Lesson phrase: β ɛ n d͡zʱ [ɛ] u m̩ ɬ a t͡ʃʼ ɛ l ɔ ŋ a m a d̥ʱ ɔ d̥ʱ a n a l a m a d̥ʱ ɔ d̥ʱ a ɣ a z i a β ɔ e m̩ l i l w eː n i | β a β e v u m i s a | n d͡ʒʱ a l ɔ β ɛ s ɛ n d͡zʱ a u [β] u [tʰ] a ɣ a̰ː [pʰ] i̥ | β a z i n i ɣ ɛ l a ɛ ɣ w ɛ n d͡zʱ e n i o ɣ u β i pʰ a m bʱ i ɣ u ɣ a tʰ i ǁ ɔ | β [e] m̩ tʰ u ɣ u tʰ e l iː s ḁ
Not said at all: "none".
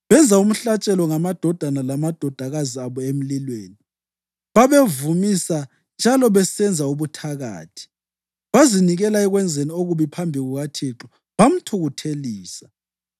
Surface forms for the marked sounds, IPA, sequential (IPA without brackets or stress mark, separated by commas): a, β, tʰ, tʰ, a